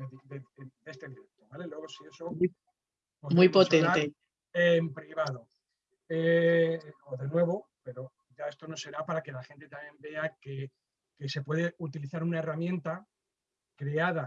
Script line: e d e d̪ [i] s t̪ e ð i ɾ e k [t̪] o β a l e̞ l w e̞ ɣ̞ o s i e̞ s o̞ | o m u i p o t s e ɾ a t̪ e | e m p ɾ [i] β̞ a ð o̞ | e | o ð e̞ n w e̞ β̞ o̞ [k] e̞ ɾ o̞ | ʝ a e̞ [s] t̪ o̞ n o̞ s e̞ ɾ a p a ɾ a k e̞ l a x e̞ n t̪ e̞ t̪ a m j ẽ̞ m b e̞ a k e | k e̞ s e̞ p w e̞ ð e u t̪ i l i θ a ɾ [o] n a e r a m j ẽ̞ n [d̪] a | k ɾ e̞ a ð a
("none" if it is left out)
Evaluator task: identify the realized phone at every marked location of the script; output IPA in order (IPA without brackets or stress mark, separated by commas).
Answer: e, t̪, i, p, s, u, t̪